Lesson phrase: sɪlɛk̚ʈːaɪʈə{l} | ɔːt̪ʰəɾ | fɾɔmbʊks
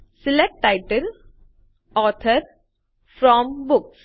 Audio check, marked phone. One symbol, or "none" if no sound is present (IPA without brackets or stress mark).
l